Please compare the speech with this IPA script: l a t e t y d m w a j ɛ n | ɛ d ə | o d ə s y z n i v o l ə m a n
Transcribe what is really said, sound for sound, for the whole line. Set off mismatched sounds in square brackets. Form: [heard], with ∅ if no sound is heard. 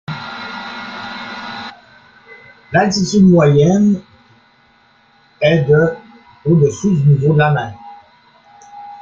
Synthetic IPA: l a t [i] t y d m w a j ɛ n | ɛ d ə | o d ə s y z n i v o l [a] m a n